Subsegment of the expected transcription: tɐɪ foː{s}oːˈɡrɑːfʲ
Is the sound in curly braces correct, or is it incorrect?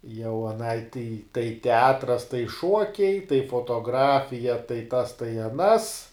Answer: incorrect